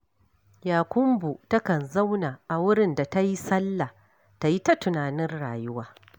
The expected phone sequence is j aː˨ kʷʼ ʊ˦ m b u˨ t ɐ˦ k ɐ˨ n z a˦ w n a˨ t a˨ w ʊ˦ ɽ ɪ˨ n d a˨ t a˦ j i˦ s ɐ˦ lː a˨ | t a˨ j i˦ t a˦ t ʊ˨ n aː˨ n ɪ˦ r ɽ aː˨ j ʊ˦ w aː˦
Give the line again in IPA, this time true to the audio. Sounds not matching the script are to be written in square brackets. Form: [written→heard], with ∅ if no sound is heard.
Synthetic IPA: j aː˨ [kʷʼ→kʷ] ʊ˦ m b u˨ t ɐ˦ k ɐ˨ n z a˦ w n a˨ [t→ʔ] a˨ w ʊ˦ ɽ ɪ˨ n d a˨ t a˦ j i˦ s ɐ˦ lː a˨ | t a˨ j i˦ t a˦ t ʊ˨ n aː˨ n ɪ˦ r ɽ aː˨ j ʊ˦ w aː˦